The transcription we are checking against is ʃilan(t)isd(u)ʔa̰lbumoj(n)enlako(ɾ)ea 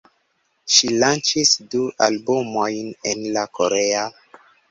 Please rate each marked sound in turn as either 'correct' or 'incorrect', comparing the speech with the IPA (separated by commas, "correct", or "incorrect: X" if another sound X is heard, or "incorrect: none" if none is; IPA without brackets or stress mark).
incorrect: t͡ʃ, correct, correct, correct